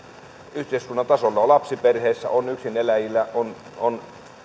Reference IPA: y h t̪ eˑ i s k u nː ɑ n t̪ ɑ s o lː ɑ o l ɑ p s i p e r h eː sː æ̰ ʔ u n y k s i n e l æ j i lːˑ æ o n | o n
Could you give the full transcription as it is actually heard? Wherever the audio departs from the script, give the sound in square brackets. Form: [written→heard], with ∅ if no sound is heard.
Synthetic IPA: y h t̪ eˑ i s k u nː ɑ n t̪ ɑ s o lː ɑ o l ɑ p s i p e r h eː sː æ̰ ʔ [u→o] n y k s i n e l æ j i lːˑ æ o n | o n